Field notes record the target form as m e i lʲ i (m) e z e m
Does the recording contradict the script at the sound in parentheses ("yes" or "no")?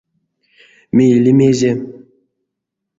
no